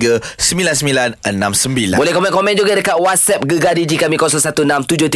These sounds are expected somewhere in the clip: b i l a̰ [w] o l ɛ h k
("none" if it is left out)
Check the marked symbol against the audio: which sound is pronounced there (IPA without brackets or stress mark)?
b